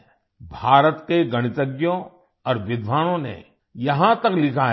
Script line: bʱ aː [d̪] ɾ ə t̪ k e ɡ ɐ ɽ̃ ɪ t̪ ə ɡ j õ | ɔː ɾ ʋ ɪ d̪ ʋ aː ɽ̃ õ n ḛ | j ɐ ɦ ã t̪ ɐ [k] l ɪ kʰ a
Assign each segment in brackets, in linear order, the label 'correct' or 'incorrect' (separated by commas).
incorrect, correct